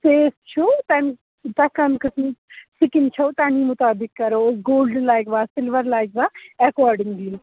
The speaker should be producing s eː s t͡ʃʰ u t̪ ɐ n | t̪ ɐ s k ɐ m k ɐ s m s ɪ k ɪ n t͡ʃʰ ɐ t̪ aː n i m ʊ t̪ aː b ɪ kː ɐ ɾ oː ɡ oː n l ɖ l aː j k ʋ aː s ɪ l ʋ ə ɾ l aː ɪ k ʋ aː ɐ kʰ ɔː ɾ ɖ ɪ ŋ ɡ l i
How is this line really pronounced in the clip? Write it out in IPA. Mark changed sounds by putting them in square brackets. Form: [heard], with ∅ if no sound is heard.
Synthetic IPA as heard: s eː s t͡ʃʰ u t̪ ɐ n | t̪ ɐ [∅] k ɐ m k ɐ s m s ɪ k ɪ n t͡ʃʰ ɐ t̪ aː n i m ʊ t̪ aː b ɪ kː ɐ ɾ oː ɡ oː [∅] l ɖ l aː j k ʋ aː s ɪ l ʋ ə ɾ l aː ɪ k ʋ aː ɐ [k] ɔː ɾ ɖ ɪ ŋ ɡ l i